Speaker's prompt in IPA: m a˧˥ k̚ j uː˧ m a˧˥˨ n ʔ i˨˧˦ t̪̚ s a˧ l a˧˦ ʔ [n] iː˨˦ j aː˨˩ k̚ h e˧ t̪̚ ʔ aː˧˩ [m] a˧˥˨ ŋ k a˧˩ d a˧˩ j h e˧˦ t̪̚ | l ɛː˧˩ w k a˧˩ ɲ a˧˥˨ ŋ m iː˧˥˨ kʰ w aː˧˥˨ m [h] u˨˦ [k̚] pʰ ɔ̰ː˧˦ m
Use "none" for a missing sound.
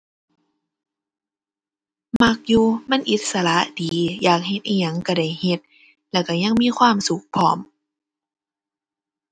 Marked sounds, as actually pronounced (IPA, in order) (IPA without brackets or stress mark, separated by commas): d, ɲ, s, k̚